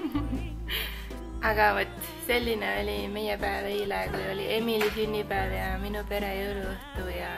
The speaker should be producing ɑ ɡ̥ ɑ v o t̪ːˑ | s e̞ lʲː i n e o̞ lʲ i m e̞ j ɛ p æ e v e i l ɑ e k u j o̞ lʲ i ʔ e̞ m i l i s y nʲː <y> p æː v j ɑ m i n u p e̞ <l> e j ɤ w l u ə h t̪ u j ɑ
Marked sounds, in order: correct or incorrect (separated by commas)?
incorrect, incorrect